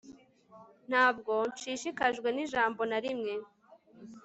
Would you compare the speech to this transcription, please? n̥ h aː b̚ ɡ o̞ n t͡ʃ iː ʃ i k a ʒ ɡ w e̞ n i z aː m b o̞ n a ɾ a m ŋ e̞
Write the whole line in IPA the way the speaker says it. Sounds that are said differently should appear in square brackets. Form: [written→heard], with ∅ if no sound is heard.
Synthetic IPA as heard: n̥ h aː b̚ ɡ o̞ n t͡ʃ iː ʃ i k a ʒ ɡ w e̞ n i [z→ʒ] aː m b o̞ n a ɾ [a→i] m ŋ e̞